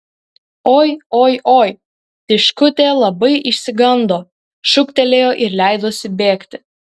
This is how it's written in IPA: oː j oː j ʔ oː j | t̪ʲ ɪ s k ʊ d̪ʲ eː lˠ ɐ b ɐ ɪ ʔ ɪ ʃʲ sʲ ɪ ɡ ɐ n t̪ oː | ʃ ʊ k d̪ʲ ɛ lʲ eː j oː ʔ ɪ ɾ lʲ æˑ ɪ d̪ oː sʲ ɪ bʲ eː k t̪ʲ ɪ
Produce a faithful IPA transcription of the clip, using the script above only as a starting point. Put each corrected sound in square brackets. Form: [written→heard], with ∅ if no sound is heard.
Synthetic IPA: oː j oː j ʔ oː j | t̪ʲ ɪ [s→ʃ] k ʊ [d̪ʲ→t̪ʲ] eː lˠ ɐ b ɐ ɪ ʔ ɪ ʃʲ sʲ ɪ ɡ ɐ n [t̪→d̪] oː | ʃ ʊ k [d̪ʲ→t̪ʲ] ɛ lʲ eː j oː ʔ ɪ ɾ lʲ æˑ ɪ d̪ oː sʲ ɪ bʲ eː k t̪ʲ ɪ